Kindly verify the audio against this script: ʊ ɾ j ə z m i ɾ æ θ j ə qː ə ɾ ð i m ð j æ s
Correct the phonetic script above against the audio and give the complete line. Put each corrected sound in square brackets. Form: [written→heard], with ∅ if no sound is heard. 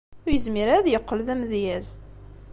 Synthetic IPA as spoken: ʊ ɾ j ə z m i ɾ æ [θ→ð] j ə qː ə [ɾ→l] ð [i→æ] m ð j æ [s→z]